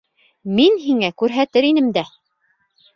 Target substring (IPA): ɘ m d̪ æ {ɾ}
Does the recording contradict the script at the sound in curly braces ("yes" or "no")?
yes